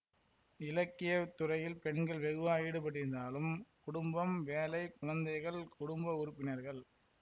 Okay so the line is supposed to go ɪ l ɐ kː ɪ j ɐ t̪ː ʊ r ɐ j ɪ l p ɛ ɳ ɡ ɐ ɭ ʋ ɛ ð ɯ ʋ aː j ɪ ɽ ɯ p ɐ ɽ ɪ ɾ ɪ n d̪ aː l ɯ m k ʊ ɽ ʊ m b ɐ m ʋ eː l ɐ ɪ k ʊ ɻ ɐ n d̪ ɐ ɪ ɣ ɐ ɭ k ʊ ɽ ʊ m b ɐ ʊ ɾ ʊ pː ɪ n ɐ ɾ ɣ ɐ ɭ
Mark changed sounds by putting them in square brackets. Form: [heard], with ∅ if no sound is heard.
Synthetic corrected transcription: ɪ l ɐ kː ɪ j ɐ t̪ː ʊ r ɐ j ɪ l p ɛ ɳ ɡ ɐ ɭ ʋ ɛ [ɣ] ɯ ʋ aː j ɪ ɽ ɯ p ɐ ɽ ɪ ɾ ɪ n d̪ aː l ɯ m k ʊ ɽ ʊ m b ɐ m ʋ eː l ɐ ɪ k ʊ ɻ ɐ n d̪ ɐ ɪ ɣ ɐ ɭ k ʊ ɽ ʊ m b ɐ ʊ ɾ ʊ pː ɪ n ɐ ɾ ɣ ɐ ɭ